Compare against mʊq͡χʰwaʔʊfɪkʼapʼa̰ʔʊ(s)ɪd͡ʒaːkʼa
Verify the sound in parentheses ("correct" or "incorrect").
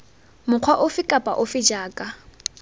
incorrect